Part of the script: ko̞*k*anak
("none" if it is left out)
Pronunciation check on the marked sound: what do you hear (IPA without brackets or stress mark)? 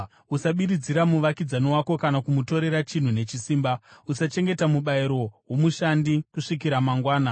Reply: k